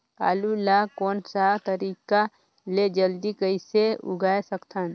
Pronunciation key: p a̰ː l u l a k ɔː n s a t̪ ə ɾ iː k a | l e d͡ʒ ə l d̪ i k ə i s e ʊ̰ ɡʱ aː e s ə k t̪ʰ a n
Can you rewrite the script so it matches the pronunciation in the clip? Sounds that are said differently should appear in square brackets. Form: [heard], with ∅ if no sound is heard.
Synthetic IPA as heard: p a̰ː l u l a k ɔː n s a t̪ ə ɾ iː k a | l e d͡ʒ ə l d̪ i k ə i s e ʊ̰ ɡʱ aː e s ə k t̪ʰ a n